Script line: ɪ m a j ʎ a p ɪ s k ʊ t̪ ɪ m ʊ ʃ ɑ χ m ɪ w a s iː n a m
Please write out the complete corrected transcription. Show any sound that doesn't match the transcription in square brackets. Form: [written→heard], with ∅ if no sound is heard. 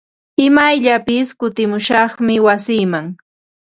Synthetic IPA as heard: ɪ m a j ʎ a p ɪ s k ʊ t̪ ɪ m ʊ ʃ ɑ χ m ɪ w a s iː [n→m] a [m→ŋ]

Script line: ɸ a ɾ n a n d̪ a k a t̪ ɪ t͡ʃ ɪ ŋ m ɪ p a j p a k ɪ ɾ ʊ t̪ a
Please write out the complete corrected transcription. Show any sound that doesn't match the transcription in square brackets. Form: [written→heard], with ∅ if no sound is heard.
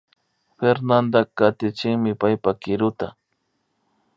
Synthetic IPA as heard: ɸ [a→e] ɾ n a n d̪ a k a t̪ ɪ t͡ʃ ɪ ŋ m ɪ p a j p a k ɪ ɾ ʊ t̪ a

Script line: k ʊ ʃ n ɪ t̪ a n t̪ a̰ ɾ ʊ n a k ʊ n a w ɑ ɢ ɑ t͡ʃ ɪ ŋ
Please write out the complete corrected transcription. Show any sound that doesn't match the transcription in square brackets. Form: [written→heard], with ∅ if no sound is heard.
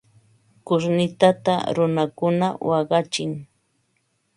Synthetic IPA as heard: k ʊ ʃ n ɪ t̪ a [n→∅] t̪ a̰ ɾ ʊ n a k ʊ n a w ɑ ɢ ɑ t͡ʃ ɪ ŋ

